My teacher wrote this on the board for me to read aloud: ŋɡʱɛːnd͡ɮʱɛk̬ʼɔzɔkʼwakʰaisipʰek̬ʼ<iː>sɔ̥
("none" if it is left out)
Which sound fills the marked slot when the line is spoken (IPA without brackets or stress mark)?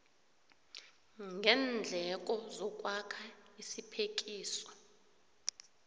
iː